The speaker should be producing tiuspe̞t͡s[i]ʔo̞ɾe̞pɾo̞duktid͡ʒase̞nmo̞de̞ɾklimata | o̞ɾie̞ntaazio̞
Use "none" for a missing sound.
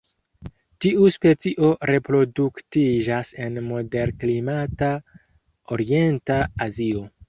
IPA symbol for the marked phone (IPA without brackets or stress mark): i